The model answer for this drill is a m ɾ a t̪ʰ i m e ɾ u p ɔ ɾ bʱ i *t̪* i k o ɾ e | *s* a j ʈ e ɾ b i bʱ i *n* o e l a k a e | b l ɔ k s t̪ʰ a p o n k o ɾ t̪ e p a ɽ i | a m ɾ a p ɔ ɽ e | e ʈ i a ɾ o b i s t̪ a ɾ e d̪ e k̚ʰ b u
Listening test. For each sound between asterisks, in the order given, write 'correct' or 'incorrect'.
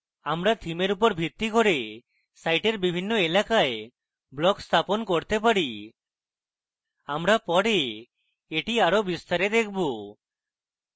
correct, correct, incorrect

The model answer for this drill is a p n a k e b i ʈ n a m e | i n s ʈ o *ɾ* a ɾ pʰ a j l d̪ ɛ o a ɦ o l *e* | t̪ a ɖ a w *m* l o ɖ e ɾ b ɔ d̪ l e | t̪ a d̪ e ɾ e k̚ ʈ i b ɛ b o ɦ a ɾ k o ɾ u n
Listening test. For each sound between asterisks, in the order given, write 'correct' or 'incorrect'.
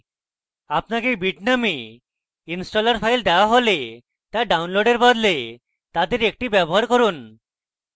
incorrect, correct, incorrect

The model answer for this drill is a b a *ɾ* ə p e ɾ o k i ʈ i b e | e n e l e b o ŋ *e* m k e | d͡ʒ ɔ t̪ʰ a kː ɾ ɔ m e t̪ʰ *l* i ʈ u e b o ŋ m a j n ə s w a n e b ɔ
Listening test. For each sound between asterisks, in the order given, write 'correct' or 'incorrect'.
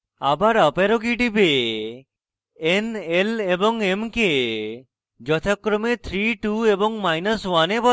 correct, correct, incorrect

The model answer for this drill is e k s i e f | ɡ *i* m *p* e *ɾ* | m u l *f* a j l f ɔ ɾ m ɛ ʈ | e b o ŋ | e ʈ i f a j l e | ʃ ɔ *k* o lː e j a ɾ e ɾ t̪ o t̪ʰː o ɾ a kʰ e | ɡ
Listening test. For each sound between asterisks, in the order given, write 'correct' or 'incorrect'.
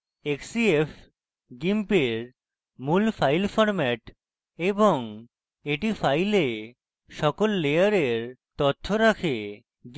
correct, correct, correct, correct, correct

